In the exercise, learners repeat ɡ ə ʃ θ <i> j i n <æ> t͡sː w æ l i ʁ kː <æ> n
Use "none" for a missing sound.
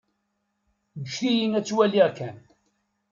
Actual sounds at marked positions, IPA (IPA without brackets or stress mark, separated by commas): i, æ, æ